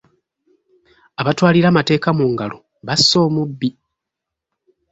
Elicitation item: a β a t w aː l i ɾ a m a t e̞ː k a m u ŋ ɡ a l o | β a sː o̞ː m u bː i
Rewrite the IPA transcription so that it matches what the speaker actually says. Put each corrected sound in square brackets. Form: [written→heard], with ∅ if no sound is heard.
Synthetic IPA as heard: a β a t w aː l i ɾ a m a t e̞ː k a m u ŋ ɡ a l o | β a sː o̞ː m u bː i